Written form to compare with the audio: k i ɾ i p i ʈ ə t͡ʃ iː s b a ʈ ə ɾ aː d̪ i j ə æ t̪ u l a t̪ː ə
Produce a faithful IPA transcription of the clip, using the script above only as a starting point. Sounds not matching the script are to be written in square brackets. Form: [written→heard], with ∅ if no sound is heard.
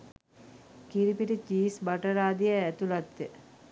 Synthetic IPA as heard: k i ɾ i p i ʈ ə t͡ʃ iː s b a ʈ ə ɾ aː d̪ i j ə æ t̪ u l a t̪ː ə